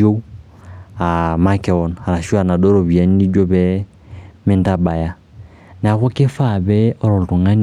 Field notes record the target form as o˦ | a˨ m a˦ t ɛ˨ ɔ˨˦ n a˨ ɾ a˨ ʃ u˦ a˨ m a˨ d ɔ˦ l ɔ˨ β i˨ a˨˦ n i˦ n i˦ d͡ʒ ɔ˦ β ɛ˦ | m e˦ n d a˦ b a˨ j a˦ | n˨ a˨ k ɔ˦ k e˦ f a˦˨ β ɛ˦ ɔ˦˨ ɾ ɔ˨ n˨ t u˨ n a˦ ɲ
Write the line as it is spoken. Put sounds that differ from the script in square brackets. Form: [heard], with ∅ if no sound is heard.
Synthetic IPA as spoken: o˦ | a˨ m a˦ [k] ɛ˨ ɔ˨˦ n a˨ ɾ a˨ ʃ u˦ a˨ [n] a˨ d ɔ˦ [ɾ] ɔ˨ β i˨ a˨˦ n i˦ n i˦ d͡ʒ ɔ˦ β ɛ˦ | m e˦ n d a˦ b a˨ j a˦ | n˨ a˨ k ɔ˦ k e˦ f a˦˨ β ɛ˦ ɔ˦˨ ɾ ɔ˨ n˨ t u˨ [ŋ] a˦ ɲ